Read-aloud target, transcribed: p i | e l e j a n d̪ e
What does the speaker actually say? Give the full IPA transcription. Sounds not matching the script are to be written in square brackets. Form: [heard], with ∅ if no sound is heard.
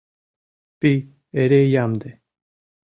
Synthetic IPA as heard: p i | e [ɾ] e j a [m] d̪ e